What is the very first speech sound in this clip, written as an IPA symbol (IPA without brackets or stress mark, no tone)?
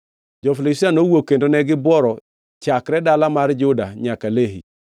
d͡ʒ